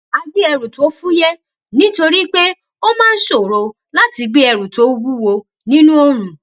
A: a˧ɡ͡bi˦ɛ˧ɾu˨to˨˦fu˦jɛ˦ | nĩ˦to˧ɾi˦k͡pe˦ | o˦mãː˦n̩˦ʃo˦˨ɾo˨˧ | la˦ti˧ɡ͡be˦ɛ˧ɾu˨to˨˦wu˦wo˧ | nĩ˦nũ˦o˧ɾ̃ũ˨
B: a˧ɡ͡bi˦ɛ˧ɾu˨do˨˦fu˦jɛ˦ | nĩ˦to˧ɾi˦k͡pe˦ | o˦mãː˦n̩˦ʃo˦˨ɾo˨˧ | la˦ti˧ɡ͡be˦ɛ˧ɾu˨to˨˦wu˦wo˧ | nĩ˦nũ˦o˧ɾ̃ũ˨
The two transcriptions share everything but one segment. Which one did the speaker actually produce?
A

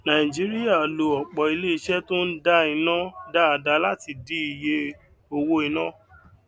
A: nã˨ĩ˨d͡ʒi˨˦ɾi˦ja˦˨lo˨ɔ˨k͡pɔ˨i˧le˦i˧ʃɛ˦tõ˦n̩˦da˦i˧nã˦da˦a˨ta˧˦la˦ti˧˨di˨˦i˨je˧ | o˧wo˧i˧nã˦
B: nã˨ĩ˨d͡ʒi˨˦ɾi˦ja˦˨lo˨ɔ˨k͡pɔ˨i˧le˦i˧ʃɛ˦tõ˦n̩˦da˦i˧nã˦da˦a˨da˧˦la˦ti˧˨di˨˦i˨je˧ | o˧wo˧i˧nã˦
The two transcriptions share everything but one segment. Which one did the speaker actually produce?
B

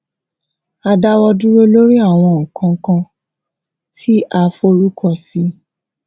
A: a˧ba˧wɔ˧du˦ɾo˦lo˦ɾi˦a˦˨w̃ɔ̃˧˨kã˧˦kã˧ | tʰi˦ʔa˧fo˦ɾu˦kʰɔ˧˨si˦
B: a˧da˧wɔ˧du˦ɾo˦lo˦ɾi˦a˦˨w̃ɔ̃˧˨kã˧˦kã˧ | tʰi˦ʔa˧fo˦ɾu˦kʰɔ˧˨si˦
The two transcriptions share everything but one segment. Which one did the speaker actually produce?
B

